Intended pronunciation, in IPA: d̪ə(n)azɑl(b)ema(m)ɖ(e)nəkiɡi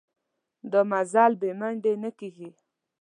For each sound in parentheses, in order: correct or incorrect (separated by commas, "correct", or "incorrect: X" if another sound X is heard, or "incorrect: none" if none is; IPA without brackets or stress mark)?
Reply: incorrect: m, correct, incorrect: ɳ, correct